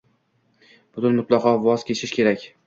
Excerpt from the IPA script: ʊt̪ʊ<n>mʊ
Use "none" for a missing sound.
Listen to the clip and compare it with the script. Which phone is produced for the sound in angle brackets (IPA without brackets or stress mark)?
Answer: n